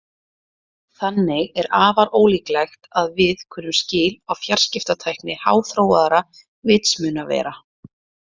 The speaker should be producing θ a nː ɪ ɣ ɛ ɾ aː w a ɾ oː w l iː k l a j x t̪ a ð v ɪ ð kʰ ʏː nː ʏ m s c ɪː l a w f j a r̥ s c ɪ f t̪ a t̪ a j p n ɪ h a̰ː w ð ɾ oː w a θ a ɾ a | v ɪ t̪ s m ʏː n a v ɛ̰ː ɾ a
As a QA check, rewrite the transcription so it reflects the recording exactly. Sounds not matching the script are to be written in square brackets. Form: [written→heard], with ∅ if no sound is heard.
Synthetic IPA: θ a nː ɪ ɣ ɛ ɾ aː [w→v] a ɾ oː w l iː k l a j x t̪ a ð v ɪ ð kʰ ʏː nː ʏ m s c ɪː l a w f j a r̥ s c ɪ f t̪ a [t̪→t̪ʰ] a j [p→k] n ɪ h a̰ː w [ð→θ] ɾ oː w a [θ→ð] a ɾ a | v ɪ t̪ s m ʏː n a v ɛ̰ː ɾ a